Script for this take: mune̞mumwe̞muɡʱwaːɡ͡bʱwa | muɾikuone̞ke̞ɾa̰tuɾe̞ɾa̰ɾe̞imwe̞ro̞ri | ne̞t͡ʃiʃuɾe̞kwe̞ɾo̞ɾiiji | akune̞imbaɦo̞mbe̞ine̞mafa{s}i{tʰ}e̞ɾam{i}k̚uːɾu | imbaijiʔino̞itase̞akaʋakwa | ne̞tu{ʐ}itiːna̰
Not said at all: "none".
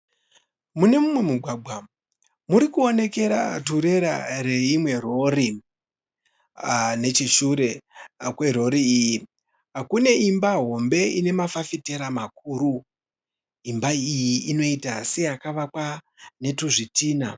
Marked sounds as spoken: f, t, a, ʐ

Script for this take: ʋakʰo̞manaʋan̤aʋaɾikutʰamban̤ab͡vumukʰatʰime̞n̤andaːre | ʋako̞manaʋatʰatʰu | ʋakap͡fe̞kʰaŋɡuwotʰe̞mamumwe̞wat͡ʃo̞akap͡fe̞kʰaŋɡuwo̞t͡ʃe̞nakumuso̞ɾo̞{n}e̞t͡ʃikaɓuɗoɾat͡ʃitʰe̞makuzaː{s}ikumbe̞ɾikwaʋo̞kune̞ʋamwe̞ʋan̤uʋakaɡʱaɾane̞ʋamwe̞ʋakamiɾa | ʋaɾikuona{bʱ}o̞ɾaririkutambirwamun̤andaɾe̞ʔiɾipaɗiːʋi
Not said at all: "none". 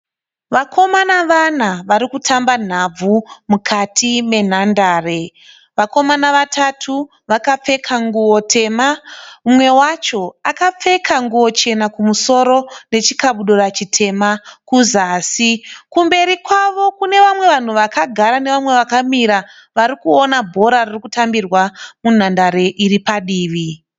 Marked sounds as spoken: n, s, bʱ

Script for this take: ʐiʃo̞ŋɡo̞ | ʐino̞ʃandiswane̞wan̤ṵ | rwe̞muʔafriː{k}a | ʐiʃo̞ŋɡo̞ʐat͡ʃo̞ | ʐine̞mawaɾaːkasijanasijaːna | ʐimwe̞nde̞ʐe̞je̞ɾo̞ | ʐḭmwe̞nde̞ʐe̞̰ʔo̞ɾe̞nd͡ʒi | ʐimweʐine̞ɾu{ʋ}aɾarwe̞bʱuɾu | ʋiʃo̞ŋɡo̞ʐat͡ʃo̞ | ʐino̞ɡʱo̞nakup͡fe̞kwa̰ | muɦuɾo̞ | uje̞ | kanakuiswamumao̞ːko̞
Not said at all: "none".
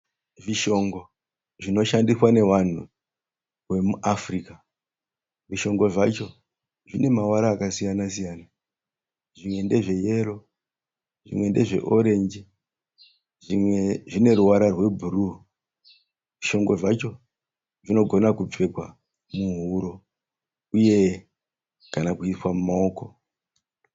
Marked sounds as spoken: k, w

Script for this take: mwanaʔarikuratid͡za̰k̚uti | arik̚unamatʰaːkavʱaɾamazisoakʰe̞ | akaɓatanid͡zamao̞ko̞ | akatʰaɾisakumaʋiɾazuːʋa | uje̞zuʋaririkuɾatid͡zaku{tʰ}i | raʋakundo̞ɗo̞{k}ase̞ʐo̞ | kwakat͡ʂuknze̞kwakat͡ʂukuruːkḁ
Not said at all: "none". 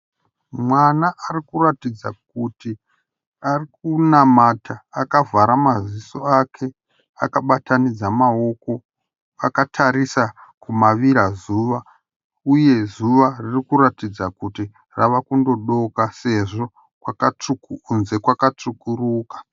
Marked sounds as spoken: t, k

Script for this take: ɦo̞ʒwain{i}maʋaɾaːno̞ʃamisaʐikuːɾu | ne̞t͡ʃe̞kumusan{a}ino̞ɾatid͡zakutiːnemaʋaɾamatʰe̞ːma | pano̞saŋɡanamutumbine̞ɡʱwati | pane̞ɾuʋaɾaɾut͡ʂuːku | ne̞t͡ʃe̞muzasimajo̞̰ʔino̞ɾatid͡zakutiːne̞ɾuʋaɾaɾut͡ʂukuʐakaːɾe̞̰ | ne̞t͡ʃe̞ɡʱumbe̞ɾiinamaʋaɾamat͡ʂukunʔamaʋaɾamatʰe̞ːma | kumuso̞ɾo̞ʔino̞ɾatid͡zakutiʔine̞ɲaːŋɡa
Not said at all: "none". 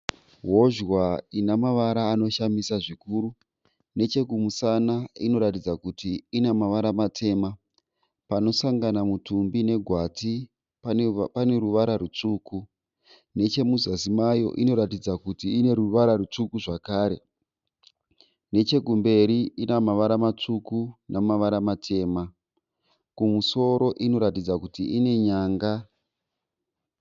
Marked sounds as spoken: a, a

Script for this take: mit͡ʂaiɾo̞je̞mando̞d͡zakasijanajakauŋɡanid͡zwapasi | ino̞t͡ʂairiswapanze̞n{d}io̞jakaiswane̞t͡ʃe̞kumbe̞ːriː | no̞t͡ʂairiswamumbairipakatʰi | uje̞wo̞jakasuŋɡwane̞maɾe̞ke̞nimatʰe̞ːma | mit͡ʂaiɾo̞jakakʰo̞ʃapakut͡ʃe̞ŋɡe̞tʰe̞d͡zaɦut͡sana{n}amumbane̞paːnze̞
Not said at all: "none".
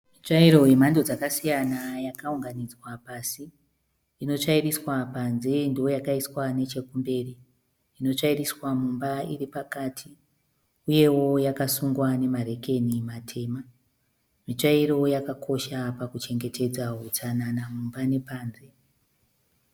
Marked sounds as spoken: d, n

